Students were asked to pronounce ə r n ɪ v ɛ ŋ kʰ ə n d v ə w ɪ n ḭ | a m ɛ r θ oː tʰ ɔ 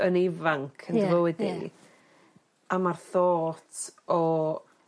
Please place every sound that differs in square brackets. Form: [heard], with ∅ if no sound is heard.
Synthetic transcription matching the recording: ə [∅] n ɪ v [a] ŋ kʰ ə n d v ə w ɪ [d] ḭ | a m [a] r θ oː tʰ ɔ

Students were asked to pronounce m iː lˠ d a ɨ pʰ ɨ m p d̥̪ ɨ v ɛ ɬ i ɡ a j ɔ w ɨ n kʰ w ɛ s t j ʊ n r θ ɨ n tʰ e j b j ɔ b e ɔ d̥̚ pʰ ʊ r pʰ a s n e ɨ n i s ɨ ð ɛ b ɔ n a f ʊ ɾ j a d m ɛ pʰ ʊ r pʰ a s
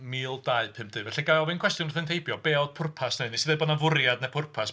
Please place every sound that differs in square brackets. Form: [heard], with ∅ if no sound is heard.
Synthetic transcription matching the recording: m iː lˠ d a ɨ pʰ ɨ m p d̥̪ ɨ v ɛ ɬ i ɡ a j ɔ [v] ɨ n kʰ w ɛ s t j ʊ n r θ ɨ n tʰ e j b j ɔ b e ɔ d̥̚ pʰ ʊ r pʰ a s n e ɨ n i s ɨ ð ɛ b ɔ n a [v] ʊ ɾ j a d [n] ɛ pʰ ʊ r pʰ a s

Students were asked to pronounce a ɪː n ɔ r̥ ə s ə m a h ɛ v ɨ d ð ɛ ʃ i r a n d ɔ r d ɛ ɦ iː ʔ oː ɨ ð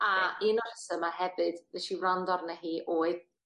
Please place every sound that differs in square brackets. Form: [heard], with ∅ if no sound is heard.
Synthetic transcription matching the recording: a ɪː n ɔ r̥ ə s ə m a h ɛ v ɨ d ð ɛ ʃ i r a n d ɔ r [n] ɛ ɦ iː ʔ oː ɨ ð

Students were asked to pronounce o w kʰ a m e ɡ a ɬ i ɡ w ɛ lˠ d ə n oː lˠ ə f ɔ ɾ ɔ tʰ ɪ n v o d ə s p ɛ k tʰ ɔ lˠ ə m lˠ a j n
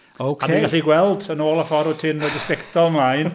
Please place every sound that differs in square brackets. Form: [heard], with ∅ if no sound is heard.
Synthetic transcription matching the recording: o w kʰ a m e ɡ a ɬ i ɡ w ɛ lˠ d ə n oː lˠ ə f ɔ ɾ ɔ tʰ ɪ n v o d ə s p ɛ k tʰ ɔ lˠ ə m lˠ a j n

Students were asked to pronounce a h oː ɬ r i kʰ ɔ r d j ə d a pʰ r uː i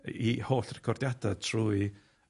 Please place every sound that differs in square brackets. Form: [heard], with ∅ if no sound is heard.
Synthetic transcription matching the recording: [i] h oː ɬ r [ɛ] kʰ ɔ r d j [a] d a [tʰ] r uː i

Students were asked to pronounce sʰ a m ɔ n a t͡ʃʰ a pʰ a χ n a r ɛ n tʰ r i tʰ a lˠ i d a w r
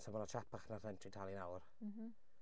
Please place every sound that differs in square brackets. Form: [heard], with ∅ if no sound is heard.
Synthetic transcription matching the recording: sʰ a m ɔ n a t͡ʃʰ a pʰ a χ n a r ɛ n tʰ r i tʰ a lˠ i [n] a w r

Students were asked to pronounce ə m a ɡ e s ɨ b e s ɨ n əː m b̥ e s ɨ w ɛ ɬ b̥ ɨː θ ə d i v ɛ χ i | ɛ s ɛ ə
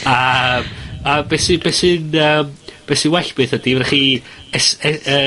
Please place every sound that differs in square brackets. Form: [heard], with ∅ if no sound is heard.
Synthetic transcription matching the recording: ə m a [b] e s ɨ b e s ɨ n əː m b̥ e s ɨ w ɛ ɬ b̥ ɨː θ ə d i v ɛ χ i | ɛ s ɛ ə

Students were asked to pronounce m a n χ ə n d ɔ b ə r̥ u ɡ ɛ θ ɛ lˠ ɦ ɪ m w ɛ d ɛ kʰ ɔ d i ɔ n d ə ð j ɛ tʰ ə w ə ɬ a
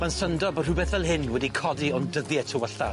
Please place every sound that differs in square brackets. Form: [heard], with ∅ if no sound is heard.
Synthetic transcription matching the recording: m a n [s] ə n d ɔ b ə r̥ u [b] ɛ θ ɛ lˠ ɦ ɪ [n] w ɛ d [i] kʰ ɔ d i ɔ n d ə ð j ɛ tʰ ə w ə ɬ a

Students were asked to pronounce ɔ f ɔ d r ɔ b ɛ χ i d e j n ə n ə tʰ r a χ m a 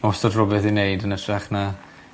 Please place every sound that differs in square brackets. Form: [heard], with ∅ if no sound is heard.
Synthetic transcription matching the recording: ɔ [s] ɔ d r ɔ b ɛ [θ] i [n] e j [d] ə n ə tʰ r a χ [n] a

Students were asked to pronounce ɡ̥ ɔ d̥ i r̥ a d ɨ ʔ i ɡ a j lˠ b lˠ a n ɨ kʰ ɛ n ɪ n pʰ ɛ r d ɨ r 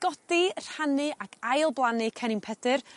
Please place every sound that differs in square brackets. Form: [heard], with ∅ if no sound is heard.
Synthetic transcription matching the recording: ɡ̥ ɔ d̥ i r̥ a [n] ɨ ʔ [a] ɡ a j lˠ b lˠ a n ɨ kʰ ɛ n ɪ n pʰ ɛ [∅] d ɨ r

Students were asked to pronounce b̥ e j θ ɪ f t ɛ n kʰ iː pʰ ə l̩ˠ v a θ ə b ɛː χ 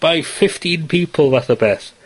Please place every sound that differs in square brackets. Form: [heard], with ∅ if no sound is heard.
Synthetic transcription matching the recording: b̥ [a] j [f] ɪ f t [i] n [pʰ] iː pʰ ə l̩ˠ v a θ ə b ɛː [θ]

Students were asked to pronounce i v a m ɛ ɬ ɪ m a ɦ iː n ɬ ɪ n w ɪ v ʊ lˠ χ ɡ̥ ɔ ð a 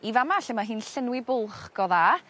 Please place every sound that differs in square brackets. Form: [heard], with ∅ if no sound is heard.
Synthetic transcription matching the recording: i v a m [a] ɬ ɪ m a ɦ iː n ɬ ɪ n w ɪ [b] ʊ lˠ χ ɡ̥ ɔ ð a

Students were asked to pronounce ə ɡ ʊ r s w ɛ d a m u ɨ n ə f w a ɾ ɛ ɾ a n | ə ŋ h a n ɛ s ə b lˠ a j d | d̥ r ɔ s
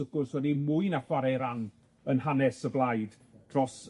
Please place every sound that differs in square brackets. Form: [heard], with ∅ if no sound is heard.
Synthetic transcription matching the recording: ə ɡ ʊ r s w ɛ d [i] m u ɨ n [a] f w a ɾ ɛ ɾ a n | ə [n] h a n ɛ s ə b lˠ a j d | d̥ r ɔ s

